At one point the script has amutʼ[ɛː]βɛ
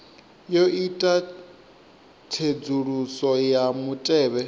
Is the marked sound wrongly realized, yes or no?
no